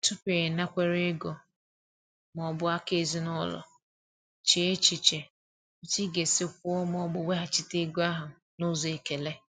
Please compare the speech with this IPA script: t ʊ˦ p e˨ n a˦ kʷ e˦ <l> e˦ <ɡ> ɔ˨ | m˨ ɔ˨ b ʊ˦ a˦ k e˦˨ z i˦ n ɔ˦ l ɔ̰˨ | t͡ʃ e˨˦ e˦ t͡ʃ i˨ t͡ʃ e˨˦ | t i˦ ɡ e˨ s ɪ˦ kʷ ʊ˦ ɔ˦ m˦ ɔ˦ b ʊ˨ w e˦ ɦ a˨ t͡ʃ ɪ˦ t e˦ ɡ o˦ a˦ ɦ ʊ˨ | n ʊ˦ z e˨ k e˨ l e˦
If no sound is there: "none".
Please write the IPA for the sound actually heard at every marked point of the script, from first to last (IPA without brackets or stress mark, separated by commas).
ɾ, ɡ